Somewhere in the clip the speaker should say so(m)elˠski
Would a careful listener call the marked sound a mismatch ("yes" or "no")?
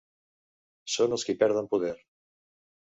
yes